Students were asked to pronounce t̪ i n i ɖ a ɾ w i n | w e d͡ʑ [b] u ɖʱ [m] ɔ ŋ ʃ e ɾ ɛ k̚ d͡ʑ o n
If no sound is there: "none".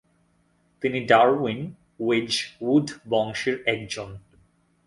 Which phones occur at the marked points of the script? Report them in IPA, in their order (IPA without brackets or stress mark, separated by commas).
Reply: w, b